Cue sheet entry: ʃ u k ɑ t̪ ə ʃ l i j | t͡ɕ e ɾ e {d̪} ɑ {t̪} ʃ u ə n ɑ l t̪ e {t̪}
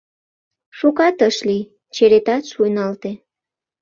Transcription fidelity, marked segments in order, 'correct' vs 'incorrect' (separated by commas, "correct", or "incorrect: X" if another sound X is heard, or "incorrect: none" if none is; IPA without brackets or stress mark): incorrect: t̪, correct, incorrect: none